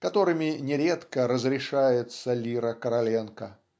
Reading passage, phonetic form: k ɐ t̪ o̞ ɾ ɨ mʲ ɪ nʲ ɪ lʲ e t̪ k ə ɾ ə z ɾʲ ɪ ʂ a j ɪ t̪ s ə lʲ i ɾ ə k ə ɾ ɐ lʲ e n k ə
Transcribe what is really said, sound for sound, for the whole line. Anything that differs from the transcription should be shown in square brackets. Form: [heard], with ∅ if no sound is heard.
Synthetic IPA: k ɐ t̪ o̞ ɾ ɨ mʲ ɪ nʲ ɪ [ɾʲ] e t̪ k ə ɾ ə z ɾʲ ɪ ʂ a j ɪ t̪ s ə lʲ i ɾ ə k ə ɾ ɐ lʲ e n k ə